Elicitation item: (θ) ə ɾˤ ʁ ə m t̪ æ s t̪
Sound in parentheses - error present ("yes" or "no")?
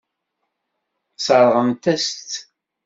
yes